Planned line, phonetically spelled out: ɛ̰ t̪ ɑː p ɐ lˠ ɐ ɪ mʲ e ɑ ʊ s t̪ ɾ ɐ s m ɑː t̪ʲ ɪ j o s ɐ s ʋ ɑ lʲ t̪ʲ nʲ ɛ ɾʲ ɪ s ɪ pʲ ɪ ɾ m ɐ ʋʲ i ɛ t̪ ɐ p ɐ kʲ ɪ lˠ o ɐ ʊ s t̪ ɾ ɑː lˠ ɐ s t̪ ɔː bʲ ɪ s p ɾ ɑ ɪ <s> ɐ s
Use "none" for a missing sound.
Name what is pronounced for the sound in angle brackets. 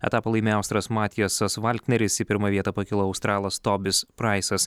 s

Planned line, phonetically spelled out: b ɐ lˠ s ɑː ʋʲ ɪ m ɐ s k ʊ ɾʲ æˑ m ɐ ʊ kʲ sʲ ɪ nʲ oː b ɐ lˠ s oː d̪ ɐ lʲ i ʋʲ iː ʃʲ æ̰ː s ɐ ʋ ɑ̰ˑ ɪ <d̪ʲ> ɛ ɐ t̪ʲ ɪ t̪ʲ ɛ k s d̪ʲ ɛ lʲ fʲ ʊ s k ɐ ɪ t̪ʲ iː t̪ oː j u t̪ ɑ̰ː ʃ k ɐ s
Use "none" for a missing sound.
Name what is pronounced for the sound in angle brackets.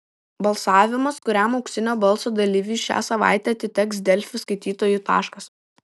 t̪ʲ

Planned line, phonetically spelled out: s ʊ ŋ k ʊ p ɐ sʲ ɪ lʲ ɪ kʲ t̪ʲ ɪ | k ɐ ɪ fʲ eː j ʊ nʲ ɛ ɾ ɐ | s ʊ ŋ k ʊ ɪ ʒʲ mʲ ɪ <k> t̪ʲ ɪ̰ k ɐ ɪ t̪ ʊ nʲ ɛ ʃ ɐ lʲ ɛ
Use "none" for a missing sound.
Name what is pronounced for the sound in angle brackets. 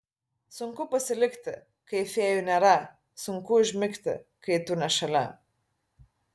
k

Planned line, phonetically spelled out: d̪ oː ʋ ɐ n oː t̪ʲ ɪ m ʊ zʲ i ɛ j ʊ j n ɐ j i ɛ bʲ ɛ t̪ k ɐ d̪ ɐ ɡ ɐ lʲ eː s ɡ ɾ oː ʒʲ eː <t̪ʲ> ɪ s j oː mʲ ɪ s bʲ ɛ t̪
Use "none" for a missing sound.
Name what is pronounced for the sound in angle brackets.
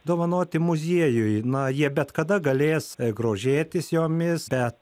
t̪ʲ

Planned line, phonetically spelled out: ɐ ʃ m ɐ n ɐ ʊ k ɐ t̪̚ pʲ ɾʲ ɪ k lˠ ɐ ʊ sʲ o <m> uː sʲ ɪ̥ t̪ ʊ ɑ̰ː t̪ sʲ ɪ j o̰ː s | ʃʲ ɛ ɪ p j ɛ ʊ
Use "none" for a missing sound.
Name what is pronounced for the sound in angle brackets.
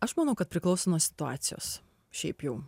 n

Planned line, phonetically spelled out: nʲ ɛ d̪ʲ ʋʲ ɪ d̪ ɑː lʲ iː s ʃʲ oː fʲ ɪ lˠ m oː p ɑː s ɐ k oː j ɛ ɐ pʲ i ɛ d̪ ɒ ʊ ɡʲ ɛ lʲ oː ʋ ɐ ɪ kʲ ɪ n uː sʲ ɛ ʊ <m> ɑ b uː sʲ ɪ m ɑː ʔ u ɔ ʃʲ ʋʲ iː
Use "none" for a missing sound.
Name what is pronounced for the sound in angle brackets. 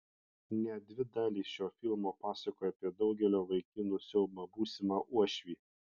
m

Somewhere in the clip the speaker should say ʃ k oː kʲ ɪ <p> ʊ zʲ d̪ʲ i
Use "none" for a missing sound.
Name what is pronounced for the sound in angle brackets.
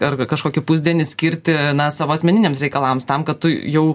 p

